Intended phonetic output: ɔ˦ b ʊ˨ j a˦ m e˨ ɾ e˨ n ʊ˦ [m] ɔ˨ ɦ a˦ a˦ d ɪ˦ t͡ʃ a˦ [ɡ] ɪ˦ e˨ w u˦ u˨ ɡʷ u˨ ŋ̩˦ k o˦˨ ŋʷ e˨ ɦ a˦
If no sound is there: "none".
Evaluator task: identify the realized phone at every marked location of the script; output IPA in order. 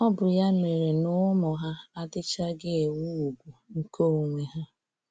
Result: m, ɡ

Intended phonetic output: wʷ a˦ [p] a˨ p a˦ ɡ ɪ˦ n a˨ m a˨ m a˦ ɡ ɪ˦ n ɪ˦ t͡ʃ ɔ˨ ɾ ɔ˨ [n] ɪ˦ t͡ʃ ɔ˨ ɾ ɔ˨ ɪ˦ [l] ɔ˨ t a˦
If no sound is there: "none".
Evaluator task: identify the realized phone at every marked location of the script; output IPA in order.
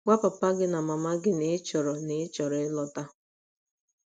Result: p, n, l

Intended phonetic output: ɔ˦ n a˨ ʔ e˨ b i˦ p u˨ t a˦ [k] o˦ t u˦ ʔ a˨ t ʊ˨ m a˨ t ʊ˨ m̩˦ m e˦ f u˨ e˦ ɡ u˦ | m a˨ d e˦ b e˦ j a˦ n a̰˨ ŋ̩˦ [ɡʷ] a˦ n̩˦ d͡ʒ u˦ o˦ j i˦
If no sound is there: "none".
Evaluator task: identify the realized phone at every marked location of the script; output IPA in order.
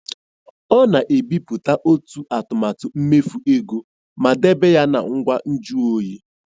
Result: ʔ, ɡʷ

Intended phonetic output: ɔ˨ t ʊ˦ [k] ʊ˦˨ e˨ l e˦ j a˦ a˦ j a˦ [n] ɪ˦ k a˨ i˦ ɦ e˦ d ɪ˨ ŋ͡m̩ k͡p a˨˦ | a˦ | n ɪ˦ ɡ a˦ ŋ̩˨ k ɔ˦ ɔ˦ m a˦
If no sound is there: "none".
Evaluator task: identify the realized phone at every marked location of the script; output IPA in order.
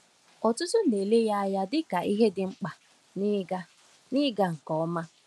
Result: t, d

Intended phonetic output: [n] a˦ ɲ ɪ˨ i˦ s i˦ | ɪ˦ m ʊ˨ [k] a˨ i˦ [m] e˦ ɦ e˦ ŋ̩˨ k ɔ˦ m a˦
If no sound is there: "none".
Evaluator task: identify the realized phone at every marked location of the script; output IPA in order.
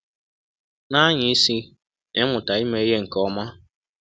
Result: n, t, m

